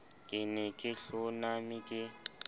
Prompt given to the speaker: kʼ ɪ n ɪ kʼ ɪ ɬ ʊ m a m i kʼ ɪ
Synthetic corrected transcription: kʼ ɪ n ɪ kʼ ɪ ɬ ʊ n a m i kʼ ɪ